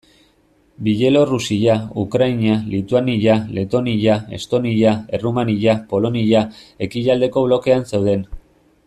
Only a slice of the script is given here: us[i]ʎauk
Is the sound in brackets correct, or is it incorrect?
correct